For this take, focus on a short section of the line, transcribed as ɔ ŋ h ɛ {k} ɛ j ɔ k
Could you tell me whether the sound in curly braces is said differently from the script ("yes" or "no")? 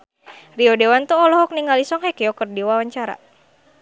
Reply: no